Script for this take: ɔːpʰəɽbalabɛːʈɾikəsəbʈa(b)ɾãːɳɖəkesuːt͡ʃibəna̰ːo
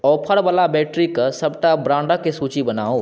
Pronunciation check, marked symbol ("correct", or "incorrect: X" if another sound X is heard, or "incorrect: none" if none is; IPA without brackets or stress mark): correct